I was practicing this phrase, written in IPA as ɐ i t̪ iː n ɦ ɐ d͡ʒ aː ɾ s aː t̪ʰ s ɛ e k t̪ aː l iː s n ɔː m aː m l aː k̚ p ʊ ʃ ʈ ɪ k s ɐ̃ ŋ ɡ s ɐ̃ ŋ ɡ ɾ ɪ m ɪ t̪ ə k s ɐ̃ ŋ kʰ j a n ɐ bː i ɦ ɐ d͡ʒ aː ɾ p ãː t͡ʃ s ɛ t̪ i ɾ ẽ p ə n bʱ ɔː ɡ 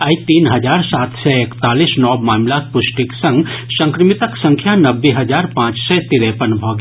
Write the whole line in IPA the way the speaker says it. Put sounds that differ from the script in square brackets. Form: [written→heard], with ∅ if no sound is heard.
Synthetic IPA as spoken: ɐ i t̪ iː n ɦ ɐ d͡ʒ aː ɾ s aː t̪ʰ s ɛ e k t̪ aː l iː s n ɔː m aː m l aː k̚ p ʊ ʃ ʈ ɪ k s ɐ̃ ŋ ɡ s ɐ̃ ŋ [ɡ→k] ɾ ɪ m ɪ t̪ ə k s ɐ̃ ŋ kʰ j a n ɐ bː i ɦ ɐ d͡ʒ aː ɾ p ãː t͡ʃ s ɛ t̪ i ɾ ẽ p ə n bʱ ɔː ɡ